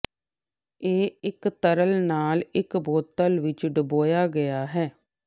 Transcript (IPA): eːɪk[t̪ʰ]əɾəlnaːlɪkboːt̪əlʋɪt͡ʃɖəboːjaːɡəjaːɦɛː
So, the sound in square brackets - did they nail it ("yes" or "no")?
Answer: no